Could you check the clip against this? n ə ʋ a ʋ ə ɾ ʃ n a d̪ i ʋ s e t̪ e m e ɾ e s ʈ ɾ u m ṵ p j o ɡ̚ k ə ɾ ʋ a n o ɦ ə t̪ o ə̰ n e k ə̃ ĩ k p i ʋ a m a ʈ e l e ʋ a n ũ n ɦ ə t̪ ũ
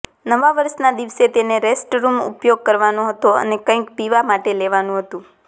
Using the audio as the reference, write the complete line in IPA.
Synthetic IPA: n ə ʋ a ʋ ə ɾ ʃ n a d̪ i ʋ s e t̪ e n e ɾ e s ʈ ɾ u m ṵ p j o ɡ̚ k ə ɾ ʋ a n o ɦ ə t̪ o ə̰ n e k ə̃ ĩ k p i ʋ a m a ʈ e l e ʋ a n ũ ɦ ə t̪ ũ